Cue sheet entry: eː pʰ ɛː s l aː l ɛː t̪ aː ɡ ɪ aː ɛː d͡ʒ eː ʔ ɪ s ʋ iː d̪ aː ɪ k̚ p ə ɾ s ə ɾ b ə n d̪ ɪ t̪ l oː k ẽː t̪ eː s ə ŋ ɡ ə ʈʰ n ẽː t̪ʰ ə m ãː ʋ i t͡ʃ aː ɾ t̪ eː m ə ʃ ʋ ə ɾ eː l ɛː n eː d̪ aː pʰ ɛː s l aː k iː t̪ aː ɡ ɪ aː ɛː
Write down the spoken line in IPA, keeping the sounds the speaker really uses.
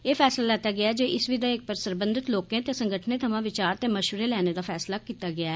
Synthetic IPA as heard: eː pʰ ɛː s l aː l ɛː t̪ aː ɡ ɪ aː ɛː d͡ʒ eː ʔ ɪ s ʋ iː d̪ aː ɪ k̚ p ə ɾ s ə ɾ b ə n d̪ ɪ t̪ l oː k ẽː t̪ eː s ə ŋ ɡ ə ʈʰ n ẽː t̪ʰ ə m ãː ʋ ɪ t͡ʃ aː ɾ t̪ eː m ə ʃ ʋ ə ɾ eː l ɛː n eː d̪ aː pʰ ɛː s l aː k iː t̪ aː ɡ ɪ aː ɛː